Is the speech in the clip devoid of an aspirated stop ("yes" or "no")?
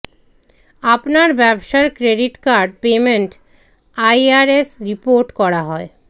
yes